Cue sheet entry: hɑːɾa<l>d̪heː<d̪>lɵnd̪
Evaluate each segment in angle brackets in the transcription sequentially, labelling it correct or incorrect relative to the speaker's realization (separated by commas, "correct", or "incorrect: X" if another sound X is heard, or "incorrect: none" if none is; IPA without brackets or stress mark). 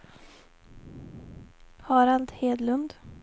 correct, correct